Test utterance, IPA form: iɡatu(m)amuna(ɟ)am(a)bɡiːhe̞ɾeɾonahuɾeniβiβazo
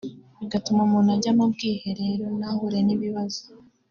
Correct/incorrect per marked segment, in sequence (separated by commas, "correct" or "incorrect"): correct, correct, correct